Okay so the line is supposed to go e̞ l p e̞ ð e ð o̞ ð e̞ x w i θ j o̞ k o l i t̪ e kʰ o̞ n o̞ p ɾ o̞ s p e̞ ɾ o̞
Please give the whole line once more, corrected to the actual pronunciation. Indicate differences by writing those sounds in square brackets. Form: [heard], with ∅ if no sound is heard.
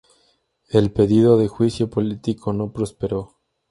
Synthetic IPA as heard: e̞ l p e̞ ð [i] ð o̞ ð e̞ x w i [s] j o̞ [p] o l i t̪ [i] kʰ o̞ n o̞ p ɾ o̞ s p e̞ ɾ o̞